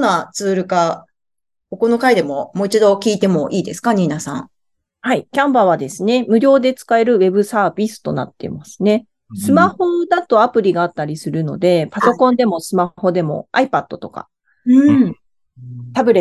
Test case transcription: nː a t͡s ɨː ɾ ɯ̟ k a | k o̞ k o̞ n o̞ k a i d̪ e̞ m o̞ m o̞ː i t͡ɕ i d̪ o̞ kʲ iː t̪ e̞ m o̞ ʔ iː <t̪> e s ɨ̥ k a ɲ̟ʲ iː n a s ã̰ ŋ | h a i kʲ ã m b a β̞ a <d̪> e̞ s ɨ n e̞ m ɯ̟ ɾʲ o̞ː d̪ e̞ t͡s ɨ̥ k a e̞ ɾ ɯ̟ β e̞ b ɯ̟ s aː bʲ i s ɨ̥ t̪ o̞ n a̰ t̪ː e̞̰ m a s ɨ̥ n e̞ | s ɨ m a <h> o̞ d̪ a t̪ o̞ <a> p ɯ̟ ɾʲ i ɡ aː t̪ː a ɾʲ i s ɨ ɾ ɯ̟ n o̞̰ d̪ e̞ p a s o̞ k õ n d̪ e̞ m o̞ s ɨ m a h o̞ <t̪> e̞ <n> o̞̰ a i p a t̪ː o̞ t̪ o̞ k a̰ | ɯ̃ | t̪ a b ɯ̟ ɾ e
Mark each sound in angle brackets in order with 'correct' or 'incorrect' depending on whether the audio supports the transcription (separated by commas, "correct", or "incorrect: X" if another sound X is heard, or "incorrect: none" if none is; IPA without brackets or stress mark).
incorrect: d̪, correct, correct, correct, incorrect: d̪, incorrect: m